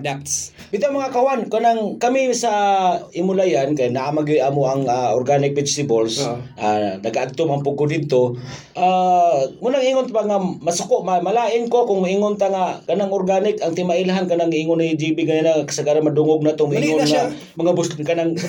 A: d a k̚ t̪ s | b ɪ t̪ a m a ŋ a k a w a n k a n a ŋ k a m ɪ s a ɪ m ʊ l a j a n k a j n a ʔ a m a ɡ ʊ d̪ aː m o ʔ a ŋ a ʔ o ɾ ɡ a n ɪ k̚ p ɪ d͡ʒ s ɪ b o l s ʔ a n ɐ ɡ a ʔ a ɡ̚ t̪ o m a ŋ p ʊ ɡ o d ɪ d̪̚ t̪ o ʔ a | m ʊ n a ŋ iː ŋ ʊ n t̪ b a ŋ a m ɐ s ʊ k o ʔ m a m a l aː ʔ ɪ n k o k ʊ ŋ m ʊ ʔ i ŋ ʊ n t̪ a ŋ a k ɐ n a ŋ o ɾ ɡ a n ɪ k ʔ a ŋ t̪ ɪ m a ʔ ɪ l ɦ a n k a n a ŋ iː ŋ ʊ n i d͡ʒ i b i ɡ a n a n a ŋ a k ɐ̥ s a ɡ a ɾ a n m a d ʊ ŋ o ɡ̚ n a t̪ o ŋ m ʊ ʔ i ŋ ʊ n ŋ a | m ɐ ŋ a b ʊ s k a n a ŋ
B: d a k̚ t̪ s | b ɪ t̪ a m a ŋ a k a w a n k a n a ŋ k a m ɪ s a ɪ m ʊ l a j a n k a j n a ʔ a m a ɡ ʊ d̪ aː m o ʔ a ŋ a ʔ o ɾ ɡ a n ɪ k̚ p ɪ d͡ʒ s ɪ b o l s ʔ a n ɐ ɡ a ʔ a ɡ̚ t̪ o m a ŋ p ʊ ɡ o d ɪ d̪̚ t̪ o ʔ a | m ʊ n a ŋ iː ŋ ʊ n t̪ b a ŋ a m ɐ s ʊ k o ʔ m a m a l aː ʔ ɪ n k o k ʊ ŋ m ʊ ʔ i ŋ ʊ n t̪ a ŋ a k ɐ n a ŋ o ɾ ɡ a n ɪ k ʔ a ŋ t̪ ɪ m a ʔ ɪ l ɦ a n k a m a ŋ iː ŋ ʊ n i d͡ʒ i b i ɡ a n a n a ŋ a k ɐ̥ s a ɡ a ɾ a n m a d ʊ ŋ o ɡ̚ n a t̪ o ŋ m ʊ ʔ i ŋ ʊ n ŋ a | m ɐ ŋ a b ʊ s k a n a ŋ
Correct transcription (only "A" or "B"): A